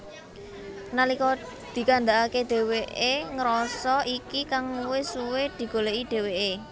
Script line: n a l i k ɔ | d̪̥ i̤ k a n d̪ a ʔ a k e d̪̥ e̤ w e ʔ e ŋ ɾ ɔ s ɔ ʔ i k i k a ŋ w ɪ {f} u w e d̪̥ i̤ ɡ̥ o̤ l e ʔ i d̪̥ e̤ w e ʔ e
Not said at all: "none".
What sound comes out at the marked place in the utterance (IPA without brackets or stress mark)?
s